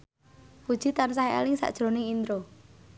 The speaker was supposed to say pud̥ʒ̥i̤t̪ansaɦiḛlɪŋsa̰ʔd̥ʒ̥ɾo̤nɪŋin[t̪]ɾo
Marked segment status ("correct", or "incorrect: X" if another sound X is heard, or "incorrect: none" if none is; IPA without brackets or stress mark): incorrect: d̪